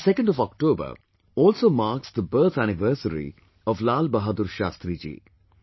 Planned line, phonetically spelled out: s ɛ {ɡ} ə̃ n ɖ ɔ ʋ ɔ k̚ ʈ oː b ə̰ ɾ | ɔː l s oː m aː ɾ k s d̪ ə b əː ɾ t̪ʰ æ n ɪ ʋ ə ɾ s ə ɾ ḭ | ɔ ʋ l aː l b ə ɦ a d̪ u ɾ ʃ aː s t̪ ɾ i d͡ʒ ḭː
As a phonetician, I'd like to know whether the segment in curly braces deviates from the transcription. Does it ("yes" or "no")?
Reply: yes